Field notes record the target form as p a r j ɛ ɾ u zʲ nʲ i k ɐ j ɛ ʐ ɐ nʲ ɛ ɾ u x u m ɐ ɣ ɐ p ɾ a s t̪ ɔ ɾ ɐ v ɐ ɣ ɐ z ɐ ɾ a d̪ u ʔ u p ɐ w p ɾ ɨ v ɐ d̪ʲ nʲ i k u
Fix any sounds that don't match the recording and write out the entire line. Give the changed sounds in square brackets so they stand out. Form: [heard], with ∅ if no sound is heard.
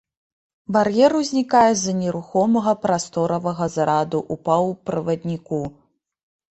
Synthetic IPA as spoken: [b] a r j ɛ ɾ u zʲ nʲ i k [a] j ɛ [z] ɐ nʲ ɛ ɾ u x [ɔ] m ɐ ɣ ɐ p ɾ a s t̪ ɔ ɾ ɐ v ɐ ɣ ɐ z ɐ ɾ a d̪ u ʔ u p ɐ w p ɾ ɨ v ɐ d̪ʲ nʲ i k u